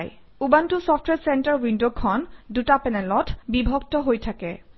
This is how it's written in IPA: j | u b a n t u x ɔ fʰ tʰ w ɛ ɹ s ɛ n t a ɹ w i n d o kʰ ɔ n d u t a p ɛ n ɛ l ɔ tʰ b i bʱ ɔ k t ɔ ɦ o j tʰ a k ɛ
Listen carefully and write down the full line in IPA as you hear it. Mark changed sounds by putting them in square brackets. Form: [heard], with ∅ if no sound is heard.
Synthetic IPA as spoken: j | u b a n t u [s] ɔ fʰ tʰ w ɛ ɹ s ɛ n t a ɹ w i n d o kʰ ɔ n d u t a p ɛ n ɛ l ɔ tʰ b i bʱ ɔ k t ɔ ɦ o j tʰ a k ɛ

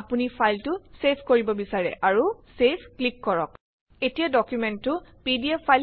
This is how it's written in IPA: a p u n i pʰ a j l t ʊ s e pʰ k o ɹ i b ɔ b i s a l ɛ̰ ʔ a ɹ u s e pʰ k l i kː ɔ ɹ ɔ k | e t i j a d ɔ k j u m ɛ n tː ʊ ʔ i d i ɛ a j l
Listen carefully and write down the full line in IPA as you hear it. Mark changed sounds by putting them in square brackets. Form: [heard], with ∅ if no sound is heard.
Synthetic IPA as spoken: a p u n i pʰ a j l t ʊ s e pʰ k o ɹ i b ɔ b i s a [ɹ] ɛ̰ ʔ a ɹ u s e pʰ k l i kː ɔ ɹ ɔ k | e t i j a d ɔ k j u m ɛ n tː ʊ [p] i d i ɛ a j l

